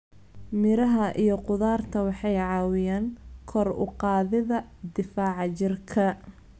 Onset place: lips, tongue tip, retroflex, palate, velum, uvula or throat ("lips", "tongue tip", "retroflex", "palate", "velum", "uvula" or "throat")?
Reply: lips